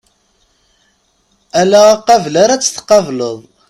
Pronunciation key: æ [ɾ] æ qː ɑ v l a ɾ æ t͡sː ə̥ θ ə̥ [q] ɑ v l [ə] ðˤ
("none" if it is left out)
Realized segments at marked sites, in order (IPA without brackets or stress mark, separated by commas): l, q, ə